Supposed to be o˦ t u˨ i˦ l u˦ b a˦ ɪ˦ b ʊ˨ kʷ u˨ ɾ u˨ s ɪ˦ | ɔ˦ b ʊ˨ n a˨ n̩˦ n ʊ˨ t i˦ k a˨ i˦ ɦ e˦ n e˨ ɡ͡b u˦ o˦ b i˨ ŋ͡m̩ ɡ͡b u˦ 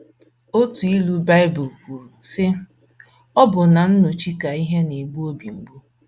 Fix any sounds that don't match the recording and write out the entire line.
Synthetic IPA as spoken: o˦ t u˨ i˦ l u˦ b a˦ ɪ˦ b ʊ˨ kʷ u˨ ɾ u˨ s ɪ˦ | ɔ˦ b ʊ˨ n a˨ n̩˦ n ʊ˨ t͡ʃ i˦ k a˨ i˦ ɦ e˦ n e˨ ɡ͡b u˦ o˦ b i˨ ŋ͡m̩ ɡ͡b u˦